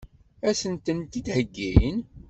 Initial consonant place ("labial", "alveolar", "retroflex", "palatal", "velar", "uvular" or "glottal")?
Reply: alveolar